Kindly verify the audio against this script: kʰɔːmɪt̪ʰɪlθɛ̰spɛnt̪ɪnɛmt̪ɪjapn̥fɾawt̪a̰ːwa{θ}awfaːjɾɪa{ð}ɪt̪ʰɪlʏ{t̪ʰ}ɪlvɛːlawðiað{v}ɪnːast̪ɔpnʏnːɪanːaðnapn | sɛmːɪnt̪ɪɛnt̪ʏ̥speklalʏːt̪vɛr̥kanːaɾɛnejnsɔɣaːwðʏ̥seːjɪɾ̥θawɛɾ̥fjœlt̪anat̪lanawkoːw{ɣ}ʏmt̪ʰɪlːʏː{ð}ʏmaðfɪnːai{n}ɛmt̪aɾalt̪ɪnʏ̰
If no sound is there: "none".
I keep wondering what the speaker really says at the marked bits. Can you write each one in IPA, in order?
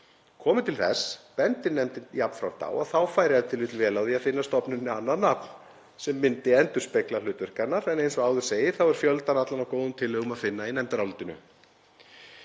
θ, ð, t̪, f, ð, ɣ, n

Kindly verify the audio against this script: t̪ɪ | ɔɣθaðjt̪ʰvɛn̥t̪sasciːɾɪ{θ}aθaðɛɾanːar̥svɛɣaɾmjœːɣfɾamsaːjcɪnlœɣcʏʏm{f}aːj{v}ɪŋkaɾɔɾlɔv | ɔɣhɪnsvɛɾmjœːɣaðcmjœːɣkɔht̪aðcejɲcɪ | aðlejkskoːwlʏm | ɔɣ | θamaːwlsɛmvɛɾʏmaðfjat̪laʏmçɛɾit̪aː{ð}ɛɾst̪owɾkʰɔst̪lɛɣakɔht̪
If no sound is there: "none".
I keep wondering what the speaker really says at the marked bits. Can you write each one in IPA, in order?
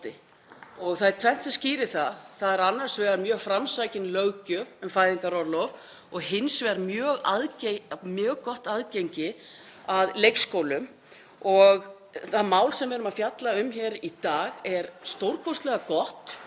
θ, f, ð, ɣ

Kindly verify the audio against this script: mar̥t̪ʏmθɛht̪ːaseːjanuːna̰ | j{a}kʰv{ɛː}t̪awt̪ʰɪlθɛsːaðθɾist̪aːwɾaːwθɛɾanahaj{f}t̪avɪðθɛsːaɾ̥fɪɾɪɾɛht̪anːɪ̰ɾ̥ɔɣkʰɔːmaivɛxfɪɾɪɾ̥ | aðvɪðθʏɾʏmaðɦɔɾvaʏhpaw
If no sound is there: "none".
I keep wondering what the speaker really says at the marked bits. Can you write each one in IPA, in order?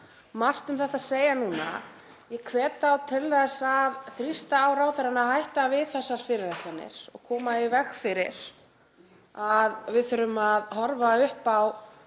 ɛ, ɛː, h

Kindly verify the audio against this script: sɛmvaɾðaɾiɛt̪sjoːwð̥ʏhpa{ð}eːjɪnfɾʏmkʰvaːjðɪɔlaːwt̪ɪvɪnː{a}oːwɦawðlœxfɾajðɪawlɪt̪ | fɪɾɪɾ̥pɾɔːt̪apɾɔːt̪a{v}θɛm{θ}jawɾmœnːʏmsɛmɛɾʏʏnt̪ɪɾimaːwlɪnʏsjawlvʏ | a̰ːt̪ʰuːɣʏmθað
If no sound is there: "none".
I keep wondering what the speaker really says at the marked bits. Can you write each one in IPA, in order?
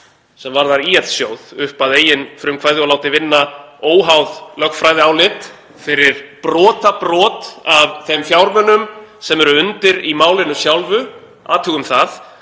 ð, a, v, f

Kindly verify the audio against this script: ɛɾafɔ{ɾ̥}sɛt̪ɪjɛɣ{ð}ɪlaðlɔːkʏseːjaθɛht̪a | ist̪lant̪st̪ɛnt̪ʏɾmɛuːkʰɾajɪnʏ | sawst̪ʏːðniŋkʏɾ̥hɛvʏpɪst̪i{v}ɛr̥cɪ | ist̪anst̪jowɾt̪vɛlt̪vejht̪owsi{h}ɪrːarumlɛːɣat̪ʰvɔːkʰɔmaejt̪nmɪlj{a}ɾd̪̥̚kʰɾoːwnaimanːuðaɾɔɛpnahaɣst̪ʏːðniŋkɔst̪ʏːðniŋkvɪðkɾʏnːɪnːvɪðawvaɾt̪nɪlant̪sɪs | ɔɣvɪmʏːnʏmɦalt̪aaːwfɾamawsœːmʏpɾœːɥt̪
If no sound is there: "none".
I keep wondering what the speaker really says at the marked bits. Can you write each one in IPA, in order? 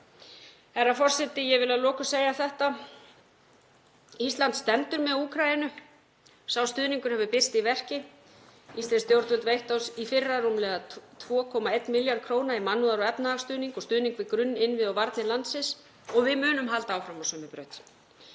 r̥, v, v, f, a

